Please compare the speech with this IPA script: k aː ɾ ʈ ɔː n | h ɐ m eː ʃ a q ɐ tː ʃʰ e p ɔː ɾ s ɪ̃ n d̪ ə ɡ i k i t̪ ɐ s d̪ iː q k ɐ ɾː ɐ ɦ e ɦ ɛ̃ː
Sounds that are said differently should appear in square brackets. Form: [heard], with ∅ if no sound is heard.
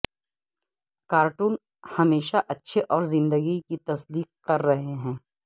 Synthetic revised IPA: k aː ɾ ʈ [uː] n | h ɐ m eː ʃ a [ʔ] ɐ tː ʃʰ e [ʔ] ɔː ɾ [z] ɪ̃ n d̪ ə ɡ i k i t̪ ɐ s d̪ iː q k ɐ ɾː ɐ ɦ e ɦ ɛ̃ː